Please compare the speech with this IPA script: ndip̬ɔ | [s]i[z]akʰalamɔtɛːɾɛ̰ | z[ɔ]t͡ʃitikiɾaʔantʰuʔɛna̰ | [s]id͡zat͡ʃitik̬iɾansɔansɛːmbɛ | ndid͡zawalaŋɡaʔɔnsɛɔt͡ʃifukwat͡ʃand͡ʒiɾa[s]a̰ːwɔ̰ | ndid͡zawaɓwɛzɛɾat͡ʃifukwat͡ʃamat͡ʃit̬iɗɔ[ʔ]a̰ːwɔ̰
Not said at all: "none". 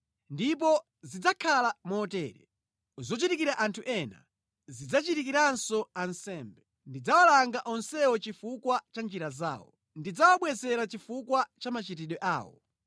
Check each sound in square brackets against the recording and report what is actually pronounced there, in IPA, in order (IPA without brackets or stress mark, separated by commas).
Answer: z, d͡z, ɔ, z, z, ʔ